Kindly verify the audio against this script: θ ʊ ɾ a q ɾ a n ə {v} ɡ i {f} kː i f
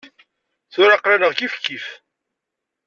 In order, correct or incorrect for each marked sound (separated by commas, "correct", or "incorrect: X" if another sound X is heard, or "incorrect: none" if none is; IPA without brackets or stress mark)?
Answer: incorrect: ʁ, correct